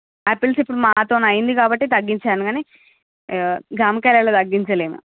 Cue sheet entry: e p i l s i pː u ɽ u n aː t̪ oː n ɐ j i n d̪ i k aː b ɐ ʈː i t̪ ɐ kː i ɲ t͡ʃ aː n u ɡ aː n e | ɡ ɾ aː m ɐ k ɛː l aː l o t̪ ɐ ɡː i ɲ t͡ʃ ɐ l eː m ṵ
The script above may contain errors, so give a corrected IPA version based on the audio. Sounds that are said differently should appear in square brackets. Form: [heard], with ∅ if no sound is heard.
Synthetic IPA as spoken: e p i l s i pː u ɽ u [m] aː t̪ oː n ɐ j i n d̪ i k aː b ɐ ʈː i t̪ ɐ [ɡː] i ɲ t͡ʃ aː n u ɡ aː n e | ɡ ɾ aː m ɐ k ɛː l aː l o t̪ ɐ ɡː i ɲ t͡ʃ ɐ l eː m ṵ